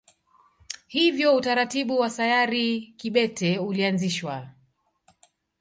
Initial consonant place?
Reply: glottal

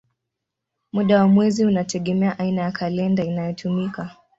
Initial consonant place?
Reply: labial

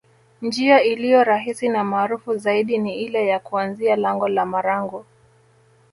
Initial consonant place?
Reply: alveolar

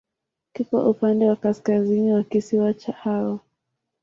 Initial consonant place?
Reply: velar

